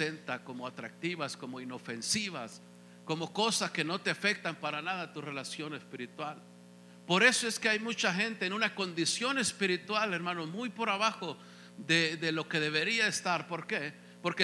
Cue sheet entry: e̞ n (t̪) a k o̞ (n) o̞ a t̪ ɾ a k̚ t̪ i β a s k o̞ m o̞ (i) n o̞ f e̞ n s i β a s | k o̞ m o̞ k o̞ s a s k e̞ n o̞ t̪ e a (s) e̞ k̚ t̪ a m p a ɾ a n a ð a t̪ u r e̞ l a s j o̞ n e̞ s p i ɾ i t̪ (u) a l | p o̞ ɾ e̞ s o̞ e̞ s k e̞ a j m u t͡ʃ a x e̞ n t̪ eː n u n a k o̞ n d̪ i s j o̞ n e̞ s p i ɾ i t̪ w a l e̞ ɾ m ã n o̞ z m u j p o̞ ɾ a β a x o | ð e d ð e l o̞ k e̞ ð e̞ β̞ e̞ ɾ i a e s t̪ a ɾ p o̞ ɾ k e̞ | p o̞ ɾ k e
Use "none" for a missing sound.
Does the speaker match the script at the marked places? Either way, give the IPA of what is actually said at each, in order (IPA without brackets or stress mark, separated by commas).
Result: t̪, m, i, f, w